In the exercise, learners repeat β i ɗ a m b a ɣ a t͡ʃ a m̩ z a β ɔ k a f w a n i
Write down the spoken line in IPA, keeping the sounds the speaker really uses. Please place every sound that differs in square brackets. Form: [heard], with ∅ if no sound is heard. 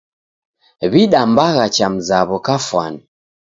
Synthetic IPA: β i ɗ a m b a ɣ a t͡ʃ a m̩ z a β ɔ k a f w a n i

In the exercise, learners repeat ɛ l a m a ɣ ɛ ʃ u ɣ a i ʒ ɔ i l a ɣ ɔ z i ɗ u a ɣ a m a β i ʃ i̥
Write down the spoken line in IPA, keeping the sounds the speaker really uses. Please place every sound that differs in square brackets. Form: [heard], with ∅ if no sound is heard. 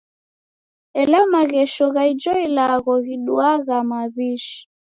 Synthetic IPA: ɛ l a m a ɣ ɛ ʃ [ɔ] ɣ a i [d͡ʒ] ɔ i l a ɣ ɔ [ɣ] i ɗ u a ɣ a m a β i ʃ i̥

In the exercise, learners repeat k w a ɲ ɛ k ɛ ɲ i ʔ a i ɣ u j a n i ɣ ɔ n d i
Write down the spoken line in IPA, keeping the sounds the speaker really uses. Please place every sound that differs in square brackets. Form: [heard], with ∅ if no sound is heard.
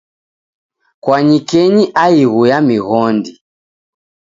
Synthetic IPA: k w a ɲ [i] k ɛ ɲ i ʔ a i ɣ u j a [m] i ɣ ɔ n d i

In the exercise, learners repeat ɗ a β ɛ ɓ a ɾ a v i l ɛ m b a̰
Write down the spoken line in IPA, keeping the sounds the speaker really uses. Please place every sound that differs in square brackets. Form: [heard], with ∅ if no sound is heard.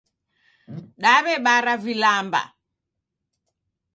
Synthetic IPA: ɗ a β ɛ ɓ a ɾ a v i l [a] m b a̰

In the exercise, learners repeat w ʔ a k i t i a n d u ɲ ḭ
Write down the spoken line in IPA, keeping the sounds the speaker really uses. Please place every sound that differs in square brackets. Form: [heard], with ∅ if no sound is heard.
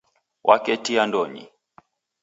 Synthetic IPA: w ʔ a k [ɛ] t i a n d [ɔ] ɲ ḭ

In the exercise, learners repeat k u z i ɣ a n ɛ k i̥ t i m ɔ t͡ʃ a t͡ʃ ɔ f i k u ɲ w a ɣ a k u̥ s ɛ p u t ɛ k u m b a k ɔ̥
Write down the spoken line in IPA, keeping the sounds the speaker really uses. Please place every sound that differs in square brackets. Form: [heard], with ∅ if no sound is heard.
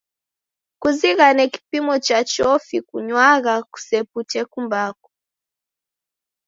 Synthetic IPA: k u z i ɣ a n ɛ k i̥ [p] i m ɔ t͡ʃ a t͡ʃ ɔ f i k u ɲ w a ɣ a k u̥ s ɛ p u t ɛ k u m b a k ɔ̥

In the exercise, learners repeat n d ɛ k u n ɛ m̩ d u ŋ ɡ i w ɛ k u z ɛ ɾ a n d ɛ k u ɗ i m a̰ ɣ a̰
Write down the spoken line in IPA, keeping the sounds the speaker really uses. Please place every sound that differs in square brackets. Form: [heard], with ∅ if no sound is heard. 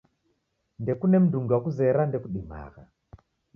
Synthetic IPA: n d ɛ k u n ɛ m̩ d u ŋ ɡ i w [a] k u z ɛ ɾ a n d ɛ k u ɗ i m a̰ ɣ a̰

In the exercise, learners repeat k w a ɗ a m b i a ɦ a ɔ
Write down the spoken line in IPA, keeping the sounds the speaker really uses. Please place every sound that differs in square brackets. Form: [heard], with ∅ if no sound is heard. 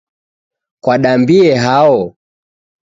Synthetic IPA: k w a ɗ a m b i [ɛ] ɦ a ɔ

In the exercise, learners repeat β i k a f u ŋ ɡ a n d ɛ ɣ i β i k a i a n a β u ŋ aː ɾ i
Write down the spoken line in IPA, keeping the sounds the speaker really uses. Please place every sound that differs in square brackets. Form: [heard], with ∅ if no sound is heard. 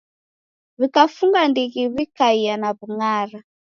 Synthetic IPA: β i k a f u ŋ ɡ a n d [i] ɣ i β i k a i a n a β u ŋ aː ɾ [a]

